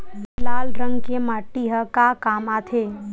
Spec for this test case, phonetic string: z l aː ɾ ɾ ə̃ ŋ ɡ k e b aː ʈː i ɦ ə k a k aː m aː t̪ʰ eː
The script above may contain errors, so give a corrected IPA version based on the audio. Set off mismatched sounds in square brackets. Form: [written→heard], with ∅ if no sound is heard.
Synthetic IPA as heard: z l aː [ɾ→l] ɾ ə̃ ŋ ɡ k e [b→m] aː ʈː i ɦ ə k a k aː m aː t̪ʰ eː